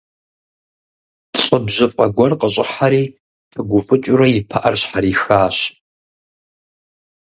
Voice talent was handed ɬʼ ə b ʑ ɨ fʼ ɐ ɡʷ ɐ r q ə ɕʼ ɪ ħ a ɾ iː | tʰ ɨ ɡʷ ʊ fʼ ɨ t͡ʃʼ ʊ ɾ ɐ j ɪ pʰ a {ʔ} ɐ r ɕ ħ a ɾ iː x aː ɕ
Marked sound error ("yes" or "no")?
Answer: no